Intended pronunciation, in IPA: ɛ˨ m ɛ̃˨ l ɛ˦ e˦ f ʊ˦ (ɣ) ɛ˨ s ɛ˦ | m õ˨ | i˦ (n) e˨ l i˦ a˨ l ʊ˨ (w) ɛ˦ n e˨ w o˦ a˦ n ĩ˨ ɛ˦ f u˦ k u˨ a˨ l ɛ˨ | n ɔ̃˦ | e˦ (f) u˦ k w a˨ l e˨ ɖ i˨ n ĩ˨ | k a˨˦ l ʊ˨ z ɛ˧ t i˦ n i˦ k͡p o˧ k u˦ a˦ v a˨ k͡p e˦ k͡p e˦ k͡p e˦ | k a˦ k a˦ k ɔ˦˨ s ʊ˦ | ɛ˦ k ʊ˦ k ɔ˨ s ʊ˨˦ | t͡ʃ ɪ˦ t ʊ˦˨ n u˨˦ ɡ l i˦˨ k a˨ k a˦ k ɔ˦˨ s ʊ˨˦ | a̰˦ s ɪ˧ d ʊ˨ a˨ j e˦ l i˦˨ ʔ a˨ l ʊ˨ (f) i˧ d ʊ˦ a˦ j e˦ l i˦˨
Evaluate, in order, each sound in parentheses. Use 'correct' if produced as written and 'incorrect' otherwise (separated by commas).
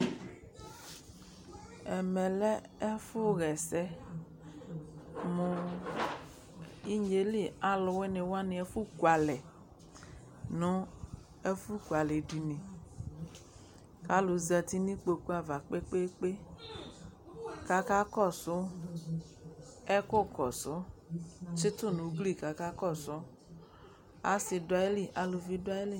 correct, incorrect, correct, correct, incorrect